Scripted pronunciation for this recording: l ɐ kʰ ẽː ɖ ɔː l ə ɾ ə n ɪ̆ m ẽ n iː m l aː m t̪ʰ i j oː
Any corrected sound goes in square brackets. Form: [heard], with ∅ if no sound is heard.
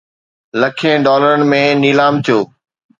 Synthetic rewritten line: l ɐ kʰ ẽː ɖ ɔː l ə ɾ ə n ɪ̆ m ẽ n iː [∅] l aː m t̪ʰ i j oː